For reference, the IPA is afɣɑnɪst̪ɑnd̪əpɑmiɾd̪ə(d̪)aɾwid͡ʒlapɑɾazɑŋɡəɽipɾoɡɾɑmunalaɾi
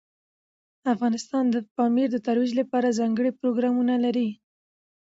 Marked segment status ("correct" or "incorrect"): incorrect